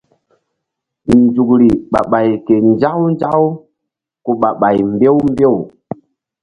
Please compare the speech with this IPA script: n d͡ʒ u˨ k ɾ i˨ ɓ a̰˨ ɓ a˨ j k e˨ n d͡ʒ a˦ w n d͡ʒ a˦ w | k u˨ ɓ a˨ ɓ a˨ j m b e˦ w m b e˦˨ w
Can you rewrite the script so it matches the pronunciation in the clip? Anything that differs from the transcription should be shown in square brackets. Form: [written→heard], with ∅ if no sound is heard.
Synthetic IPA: n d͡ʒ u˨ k ɾ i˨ ɓ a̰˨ ɓ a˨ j k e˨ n d͡ʒ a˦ w n d͡ʒ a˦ w | k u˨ ɓ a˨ ɓ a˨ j m b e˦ w m b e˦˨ w